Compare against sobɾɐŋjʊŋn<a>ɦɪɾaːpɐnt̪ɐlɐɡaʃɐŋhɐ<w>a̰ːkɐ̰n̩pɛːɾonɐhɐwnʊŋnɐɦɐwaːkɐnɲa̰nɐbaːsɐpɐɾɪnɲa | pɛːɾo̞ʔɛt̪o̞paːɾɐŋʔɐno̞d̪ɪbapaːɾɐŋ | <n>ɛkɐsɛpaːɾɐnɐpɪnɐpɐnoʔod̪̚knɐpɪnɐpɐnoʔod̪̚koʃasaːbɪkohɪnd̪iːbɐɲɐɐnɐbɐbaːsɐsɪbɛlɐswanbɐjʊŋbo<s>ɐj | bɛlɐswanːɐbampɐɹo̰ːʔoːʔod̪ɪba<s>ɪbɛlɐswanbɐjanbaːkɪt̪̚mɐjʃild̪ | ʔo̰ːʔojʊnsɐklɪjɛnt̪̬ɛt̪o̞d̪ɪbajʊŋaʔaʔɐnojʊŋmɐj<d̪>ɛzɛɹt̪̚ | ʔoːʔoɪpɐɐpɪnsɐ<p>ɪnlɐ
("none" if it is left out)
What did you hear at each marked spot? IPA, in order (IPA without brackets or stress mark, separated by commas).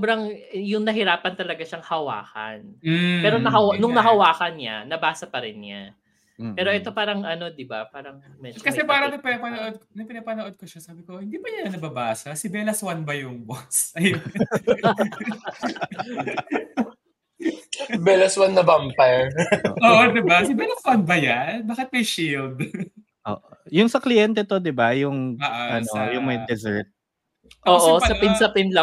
ɐ, w, m, s, s, d̪, p